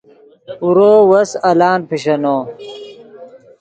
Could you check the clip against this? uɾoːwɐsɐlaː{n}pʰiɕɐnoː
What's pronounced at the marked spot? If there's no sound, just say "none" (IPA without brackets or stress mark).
n